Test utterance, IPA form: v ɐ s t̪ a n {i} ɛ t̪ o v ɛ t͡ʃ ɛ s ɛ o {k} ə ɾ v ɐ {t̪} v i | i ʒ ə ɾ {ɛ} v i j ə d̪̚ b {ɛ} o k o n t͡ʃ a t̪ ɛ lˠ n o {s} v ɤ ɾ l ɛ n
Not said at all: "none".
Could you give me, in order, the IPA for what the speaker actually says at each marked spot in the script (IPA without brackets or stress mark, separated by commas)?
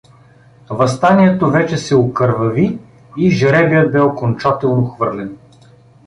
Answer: i, k, none, ɛ, ɛ, x